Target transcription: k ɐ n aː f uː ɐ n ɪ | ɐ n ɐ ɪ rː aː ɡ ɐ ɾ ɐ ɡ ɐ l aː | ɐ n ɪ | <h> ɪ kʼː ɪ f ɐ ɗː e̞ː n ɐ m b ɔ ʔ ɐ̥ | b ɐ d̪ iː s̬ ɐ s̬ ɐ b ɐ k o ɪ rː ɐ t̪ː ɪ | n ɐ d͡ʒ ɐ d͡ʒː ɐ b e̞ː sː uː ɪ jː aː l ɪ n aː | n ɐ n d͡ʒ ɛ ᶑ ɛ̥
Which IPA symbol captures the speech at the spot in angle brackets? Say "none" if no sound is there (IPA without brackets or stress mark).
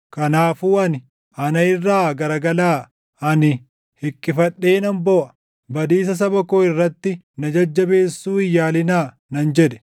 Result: h